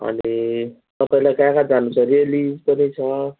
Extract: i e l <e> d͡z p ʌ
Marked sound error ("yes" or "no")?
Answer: yes